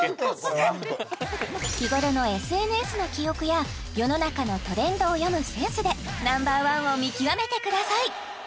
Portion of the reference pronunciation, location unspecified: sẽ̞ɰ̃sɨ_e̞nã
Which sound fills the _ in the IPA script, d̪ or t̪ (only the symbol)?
d̪